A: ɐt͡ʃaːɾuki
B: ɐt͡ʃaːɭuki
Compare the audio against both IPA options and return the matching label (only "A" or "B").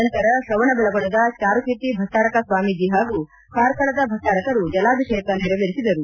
A